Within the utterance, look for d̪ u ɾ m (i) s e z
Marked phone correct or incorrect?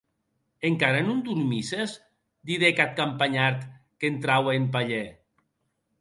correct